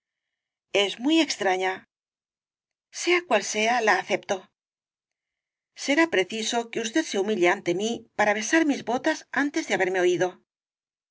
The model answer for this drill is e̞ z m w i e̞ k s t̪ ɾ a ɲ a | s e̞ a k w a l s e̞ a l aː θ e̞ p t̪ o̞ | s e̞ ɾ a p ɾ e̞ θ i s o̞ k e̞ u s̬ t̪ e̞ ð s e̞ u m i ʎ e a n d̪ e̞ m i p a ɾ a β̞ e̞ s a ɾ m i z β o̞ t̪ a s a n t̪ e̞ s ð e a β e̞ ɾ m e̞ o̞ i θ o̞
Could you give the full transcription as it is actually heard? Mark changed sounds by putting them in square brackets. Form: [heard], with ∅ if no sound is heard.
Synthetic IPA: e̞ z m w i e̞ k s t̪ ɾ a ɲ a | s e̞ a k w a l s e̞ a l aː θ e̞ p t̪ o̞ | s e̞ ɾ a p ɾ e̞ θ i s o̞ k e̞ u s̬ t̪ e̞ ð s e̞ u m i ʎ e a n [t̪] e̞ m i p a ɾ a β̞ e̞ s a ɾ m i z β o̞ t̪ a s a n t̪ e̞ [z] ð e a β e̞ ɾ m e̞ o̞ i [ð] o̞